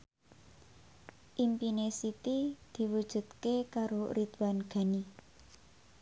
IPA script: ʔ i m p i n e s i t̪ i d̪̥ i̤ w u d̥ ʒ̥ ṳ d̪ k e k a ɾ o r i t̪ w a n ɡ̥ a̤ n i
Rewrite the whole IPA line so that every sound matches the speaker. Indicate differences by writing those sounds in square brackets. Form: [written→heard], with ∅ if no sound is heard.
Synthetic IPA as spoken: ʔ i m p i n e s i t̪ i d̪̥ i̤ w u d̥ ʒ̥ ṳ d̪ k e k a ɾ o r i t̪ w a n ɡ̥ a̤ n i